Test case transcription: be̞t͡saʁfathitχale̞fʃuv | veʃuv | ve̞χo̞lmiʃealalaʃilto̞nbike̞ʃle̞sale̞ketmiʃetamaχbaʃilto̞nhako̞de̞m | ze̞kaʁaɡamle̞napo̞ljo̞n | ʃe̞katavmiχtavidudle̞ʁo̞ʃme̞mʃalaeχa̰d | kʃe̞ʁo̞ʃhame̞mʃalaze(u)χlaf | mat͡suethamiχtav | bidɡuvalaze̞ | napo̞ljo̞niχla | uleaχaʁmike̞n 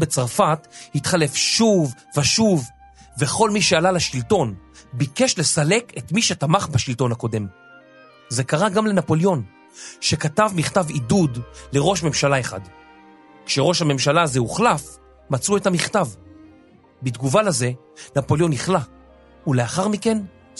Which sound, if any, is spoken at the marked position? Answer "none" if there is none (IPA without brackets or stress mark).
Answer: u